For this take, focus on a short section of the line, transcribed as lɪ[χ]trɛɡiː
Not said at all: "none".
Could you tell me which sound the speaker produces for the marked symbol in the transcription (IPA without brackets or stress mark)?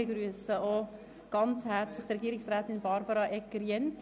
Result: χ